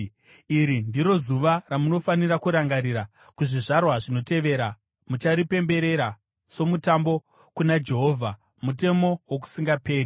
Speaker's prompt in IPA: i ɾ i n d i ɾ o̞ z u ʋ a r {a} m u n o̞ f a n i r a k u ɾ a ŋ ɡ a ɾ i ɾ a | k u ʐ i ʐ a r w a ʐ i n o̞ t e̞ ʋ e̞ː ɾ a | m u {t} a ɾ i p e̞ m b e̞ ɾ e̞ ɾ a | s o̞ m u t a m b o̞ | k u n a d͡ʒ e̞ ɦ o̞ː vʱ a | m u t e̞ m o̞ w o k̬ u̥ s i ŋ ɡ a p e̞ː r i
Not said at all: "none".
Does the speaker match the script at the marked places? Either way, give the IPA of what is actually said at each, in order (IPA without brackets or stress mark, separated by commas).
a, t͡ʃ